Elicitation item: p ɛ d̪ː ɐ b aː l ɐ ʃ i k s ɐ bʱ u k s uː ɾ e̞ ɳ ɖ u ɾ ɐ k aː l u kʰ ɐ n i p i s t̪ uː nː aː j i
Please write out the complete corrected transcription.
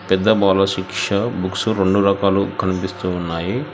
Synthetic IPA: p ɛ d̪ː ɐ b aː l ɐ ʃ i k ʂ ɐ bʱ u k s u ɾ e̞ ɳ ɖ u ɾ ɐ k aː l u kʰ ɐ n i p i s t̪ uː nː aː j i